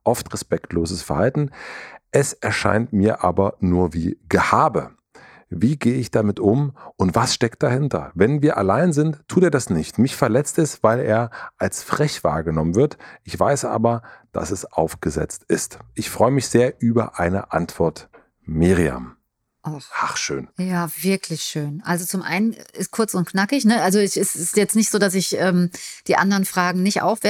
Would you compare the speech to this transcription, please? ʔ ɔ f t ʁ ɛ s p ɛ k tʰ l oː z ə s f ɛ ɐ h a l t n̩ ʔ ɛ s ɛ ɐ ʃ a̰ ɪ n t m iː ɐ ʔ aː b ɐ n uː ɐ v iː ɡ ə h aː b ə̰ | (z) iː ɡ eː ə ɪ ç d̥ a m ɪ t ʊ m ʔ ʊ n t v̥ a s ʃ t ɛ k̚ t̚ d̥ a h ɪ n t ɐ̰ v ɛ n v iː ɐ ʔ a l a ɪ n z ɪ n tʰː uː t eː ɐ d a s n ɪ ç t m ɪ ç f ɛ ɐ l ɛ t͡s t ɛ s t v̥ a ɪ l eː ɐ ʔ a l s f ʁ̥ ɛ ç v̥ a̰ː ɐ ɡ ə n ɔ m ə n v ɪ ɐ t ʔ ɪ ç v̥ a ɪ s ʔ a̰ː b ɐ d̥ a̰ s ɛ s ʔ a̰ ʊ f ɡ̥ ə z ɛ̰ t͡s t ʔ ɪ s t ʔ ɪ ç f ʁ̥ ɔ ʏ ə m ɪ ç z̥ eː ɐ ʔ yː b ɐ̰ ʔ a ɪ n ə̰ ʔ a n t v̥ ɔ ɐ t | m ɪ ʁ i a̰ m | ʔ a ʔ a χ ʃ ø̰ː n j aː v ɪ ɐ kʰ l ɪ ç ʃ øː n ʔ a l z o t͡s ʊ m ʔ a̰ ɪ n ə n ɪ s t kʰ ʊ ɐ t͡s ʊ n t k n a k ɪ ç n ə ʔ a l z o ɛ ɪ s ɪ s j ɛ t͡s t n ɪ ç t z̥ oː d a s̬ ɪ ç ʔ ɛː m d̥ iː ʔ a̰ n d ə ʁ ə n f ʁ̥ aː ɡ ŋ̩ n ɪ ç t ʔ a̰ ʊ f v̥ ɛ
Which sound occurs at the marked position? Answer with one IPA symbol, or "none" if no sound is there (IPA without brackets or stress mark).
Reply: v